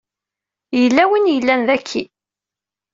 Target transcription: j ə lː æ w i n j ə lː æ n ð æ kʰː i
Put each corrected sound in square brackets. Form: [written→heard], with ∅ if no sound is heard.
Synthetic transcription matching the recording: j ə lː æ w i n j ə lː æ n ð æ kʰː i